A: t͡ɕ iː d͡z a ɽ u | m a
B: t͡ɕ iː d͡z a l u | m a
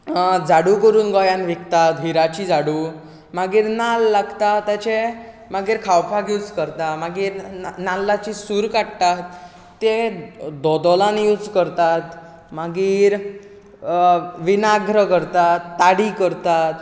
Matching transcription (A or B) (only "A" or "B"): A